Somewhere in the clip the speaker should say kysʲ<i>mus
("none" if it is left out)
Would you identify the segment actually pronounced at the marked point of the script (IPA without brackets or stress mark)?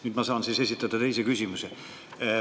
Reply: i